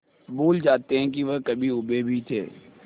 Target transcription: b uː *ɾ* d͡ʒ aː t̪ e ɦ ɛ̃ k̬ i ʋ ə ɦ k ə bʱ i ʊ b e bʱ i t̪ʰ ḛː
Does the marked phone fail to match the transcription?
yes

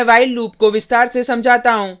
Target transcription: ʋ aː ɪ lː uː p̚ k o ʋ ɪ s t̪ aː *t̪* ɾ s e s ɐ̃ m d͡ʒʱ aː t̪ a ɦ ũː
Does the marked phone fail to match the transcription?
yes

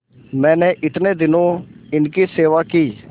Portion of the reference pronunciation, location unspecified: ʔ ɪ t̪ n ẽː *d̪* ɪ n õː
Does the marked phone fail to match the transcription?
no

